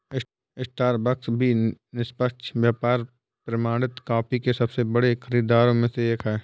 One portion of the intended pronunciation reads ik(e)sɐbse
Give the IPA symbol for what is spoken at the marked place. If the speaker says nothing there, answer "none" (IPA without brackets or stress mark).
e